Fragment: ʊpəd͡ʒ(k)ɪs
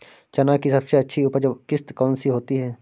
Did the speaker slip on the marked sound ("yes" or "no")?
no